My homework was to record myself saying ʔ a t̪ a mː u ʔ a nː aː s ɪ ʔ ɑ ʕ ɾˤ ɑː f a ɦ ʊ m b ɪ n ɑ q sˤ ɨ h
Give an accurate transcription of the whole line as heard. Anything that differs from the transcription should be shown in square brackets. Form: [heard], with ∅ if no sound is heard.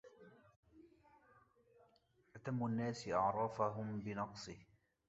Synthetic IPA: ʔ a t̪ a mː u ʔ a nː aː s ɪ ʔ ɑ ʕ ɾˤ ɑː f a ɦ ʊ m b ɪ n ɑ q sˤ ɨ h